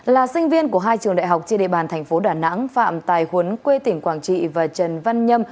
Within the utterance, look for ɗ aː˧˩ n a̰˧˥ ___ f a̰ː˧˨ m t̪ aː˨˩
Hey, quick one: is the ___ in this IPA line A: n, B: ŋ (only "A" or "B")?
B